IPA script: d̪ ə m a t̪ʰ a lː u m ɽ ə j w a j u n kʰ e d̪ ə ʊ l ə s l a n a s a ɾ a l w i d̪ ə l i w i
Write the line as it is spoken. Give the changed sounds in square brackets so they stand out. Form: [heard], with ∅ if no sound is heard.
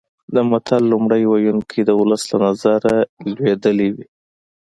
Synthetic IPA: d̪ ə m a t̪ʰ a lː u m ɽ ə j w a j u n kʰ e d̪ ə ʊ l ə s l a n a [z] a ɾ a l w [e] d̪ ə l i w i